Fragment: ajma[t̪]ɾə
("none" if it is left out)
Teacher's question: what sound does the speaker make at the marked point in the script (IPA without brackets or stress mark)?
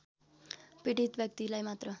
t̪